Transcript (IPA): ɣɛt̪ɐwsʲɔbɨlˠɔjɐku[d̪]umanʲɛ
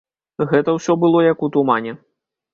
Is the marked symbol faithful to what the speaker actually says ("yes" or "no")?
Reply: no